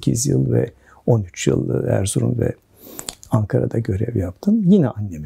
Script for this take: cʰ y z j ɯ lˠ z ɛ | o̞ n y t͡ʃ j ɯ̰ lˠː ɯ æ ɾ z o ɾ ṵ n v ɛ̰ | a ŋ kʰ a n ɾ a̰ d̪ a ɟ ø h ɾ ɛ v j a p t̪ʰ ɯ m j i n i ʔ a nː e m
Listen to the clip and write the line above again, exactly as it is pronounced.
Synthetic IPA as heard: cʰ i z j ɯ lˠ v ɛ | o̞ n y t͡ʃ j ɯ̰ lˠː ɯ æ ɾ z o ɾ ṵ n v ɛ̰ | a ŋ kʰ a ɾ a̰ d̪ a ɟ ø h ɾ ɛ v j a p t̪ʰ ɯ m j i n ɛ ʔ a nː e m